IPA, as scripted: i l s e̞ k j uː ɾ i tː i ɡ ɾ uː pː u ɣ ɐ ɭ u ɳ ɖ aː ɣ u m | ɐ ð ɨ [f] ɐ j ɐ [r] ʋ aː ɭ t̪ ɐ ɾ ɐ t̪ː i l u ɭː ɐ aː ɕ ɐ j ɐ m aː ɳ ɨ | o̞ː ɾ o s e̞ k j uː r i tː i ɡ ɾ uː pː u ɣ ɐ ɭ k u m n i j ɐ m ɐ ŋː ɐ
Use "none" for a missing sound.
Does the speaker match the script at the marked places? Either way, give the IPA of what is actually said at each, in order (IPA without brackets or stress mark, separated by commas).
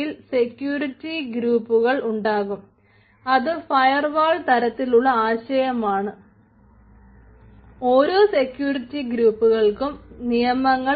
f, r